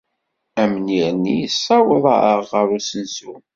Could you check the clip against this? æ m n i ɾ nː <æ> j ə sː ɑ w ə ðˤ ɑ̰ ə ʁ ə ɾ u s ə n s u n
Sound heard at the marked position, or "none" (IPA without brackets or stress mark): i